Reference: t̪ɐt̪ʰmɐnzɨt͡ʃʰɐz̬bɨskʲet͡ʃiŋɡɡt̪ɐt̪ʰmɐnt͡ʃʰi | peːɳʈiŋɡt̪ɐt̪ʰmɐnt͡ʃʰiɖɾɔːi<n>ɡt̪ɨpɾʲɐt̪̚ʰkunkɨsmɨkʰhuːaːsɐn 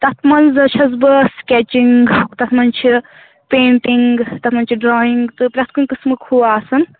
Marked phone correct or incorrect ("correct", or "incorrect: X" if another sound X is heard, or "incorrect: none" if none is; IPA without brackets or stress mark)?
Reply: incorrect: ŋ